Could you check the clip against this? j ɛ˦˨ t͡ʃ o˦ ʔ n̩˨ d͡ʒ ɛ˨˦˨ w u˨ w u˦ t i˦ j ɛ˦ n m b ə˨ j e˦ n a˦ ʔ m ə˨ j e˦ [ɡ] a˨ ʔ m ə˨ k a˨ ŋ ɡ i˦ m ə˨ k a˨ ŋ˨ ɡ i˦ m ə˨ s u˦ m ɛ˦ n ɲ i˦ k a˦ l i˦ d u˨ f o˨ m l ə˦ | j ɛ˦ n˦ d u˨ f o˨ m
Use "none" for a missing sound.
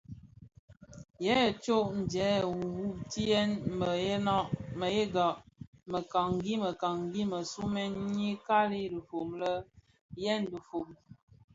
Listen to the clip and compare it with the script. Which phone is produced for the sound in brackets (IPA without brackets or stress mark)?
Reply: ɡ